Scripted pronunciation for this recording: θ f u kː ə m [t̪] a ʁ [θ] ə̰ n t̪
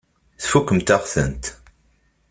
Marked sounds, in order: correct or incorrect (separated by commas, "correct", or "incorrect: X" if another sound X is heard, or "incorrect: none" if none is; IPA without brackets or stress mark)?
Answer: correct, correct